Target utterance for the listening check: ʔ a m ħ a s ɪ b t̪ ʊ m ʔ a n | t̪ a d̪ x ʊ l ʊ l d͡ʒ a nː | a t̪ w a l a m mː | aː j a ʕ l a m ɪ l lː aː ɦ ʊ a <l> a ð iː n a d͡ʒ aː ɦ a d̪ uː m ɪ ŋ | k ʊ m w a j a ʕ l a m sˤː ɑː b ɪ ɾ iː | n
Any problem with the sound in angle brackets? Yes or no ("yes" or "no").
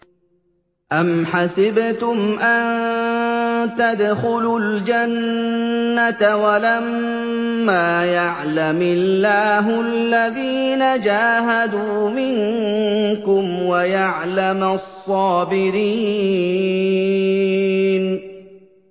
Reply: yes